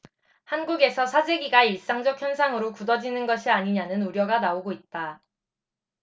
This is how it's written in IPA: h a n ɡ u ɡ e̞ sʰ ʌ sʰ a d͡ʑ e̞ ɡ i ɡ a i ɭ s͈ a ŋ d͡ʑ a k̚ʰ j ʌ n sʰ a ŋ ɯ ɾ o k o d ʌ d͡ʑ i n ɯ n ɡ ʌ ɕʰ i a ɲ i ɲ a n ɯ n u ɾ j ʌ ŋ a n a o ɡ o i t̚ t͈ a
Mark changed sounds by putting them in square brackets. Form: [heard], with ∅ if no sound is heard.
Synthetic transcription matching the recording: h a n ɡ u ɡ e̞ sʰ ʌ sʰ a d͡ʑ e̞ ɡ i ɡ a i ɭ s͈ a ŋ d͡ʑ [ʌ] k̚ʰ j ʌ n sʰ a ŋ ɯ ɾ o k [u] d ʌ d͡ʑ i n ɯ n ɡ ʌ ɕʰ i a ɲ i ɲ a n ɯ n u ɾ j ʌ [ɡ] a n a o ɡ o i t̚ t͈ a